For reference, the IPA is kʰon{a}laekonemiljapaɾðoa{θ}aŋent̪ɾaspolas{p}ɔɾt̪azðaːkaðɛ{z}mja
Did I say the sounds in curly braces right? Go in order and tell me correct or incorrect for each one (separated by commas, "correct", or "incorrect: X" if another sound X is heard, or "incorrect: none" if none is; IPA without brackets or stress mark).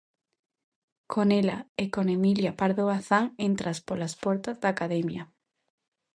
incorrect: e, correct, correct, incorrect: none